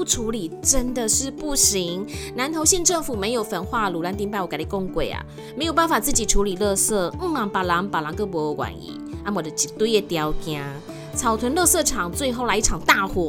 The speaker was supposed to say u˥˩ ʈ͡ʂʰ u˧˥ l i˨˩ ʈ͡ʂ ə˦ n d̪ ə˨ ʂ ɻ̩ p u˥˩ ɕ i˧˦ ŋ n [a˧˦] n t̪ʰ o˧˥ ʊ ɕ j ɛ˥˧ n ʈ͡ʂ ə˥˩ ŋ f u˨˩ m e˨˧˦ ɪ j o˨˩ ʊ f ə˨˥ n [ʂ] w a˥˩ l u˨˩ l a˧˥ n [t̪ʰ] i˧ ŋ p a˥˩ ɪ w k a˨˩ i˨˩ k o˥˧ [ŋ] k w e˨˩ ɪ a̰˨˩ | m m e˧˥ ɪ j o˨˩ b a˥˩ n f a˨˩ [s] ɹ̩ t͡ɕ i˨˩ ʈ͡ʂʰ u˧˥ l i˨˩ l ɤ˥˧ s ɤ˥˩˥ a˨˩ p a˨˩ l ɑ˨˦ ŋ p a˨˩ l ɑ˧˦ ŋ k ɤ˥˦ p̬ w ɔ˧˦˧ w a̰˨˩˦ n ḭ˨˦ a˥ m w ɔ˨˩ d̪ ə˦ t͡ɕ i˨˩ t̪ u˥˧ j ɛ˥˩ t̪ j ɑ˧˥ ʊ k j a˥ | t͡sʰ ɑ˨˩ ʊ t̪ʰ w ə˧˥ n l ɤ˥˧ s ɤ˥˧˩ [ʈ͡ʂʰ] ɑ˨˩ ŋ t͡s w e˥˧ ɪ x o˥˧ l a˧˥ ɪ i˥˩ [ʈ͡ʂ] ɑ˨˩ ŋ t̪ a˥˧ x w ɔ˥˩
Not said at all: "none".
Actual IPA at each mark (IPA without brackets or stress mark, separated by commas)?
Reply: a˧˦, x, t̪, ŋ, t͡s, ʈ͡ʂʰ, ʈ͡ʂʰ